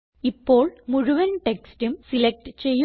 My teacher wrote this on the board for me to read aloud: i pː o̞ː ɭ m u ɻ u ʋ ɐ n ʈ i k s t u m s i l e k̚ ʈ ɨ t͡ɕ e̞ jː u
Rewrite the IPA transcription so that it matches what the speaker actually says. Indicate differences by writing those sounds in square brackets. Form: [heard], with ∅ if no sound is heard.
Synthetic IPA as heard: i pː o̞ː ɭ m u ɻ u ʋ ɐ n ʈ [e] k s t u m s i l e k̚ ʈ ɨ t͡ɕ e̞ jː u